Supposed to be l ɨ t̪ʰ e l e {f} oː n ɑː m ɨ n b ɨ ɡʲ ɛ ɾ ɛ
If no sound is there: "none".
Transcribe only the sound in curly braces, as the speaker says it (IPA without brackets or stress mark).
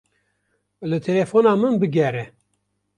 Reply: f